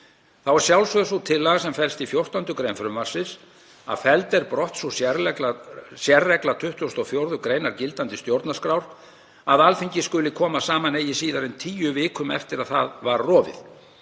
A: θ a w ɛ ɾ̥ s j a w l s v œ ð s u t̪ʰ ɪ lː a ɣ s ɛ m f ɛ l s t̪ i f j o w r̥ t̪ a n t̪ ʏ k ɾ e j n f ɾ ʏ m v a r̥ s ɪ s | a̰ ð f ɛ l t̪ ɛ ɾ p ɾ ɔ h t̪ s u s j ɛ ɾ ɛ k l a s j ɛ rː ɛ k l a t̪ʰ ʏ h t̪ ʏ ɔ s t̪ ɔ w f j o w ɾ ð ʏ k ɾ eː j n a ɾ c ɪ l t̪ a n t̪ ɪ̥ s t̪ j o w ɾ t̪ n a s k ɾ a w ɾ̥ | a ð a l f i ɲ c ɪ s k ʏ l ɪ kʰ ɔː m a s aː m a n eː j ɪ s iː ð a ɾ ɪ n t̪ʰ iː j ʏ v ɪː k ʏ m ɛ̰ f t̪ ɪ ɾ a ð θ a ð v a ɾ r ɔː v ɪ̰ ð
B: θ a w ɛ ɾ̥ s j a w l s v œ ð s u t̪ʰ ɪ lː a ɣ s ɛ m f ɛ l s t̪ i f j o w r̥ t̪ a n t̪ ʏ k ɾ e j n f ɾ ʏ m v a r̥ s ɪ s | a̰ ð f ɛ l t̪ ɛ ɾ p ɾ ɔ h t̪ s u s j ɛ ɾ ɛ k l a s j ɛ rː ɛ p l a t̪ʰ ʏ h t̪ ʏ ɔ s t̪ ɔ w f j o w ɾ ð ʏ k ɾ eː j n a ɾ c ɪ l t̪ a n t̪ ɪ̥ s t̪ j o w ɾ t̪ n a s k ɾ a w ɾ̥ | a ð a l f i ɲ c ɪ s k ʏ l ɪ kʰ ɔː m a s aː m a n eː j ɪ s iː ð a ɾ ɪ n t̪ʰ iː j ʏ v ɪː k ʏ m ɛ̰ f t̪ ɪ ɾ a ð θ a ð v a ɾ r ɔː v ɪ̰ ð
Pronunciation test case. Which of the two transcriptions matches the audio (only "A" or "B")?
A